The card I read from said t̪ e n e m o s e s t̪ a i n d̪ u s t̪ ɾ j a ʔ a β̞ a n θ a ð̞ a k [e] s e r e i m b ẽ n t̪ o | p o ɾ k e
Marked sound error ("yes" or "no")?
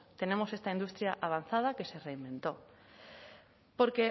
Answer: no